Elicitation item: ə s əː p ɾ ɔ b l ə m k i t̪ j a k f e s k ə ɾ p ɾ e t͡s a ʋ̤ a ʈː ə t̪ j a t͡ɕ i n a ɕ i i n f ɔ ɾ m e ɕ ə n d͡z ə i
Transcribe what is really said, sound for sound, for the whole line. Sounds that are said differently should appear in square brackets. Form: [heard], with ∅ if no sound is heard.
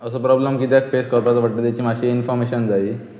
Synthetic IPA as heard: ə s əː p ɾ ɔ b l ə m k i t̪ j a k f e s k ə ɾ p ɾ [a] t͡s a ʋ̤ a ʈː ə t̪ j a t͡ɕ i [m] a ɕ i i n f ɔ ɾ m e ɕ ə n d͡z [a] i